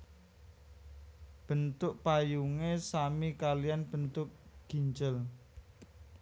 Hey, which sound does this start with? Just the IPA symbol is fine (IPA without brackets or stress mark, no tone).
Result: b̥